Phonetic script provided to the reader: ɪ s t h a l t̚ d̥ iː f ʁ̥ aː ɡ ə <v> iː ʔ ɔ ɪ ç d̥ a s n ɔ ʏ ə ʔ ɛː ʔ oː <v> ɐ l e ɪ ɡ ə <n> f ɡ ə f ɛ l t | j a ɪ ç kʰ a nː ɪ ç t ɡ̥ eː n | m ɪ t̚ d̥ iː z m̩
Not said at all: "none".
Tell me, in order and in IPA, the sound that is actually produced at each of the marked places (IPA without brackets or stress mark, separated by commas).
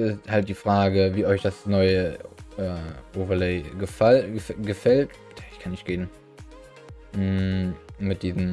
v, v, none